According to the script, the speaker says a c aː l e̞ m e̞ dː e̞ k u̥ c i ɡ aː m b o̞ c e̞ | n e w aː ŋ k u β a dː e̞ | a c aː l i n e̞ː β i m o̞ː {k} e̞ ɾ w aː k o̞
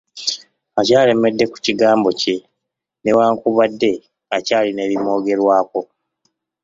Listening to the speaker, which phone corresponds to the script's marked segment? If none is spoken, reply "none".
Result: ɡ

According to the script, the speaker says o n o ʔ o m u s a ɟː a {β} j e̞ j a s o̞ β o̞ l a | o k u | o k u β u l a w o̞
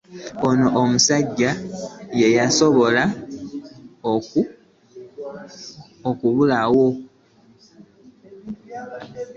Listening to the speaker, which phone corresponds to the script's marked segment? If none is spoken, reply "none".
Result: none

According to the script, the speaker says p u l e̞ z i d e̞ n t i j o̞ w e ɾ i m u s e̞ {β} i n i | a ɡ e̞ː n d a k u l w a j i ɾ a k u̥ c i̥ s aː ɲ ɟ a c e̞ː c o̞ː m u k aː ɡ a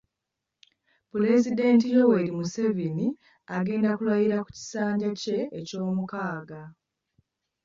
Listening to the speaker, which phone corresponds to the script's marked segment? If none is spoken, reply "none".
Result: v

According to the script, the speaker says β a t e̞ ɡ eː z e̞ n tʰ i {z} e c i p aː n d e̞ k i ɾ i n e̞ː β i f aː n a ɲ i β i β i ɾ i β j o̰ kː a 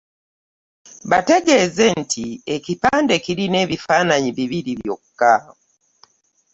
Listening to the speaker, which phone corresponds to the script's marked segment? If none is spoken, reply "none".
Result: none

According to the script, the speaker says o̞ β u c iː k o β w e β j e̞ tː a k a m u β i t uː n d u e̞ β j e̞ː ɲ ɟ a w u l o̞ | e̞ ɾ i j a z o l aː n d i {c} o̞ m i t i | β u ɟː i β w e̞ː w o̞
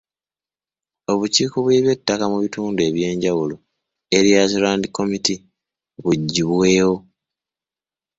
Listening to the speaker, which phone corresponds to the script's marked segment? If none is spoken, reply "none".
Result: k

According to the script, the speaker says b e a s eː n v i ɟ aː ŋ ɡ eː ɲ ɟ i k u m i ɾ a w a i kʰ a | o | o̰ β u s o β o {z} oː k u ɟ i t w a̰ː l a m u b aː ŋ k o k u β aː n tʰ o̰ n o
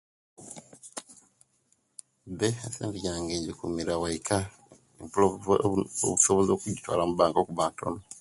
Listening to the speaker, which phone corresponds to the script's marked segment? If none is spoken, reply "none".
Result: z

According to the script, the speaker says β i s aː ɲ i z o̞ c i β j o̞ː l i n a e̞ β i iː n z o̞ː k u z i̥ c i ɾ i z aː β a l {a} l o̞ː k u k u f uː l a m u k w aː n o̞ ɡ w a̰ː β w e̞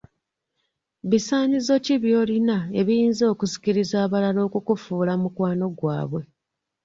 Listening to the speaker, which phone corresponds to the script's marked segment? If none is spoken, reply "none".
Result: a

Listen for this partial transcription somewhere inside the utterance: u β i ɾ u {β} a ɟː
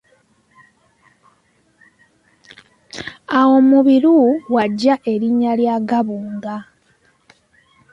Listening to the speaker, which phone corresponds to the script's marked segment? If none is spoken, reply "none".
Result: w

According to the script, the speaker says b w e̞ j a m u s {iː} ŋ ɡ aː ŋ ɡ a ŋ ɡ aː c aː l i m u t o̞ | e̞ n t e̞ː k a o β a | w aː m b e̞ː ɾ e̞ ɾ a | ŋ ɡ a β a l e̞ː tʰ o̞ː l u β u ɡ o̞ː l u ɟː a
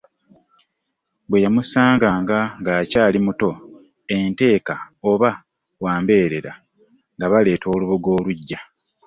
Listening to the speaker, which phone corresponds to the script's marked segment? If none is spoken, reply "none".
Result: aː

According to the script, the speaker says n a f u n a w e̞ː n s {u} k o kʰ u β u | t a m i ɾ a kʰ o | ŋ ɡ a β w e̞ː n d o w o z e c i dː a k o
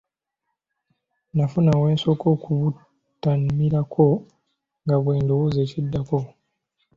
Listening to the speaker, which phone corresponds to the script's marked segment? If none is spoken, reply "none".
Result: o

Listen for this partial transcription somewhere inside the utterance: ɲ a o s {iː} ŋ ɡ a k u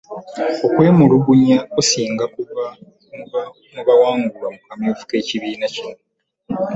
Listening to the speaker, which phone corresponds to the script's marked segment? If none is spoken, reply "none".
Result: iː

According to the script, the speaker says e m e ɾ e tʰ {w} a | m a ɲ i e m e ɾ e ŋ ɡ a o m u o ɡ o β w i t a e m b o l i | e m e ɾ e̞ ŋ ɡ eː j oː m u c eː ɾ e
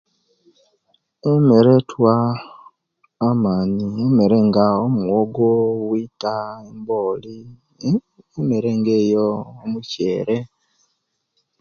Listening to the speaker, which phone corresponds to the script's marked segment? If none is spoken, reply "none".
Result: w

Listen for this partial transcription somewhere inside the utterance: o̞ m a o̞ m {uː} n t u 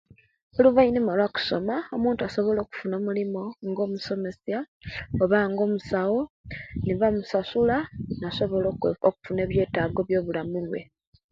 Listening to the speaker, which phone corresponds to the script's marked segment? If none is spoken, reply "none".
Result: uː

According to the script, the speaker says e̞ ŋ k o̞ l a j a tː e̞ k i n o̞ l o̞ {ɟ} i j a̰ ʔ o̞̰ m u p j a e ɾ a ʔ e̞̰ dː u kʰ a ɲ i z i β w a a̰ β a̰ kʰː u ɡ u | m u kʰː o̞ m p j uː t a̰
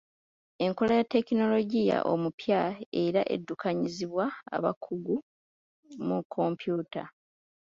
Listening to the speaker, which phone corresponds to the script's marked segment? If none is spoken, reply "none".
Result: ɟ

